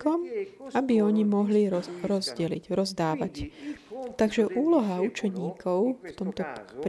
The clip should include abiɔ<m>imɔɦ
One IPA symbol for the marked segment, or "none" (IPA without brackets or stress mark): ɲ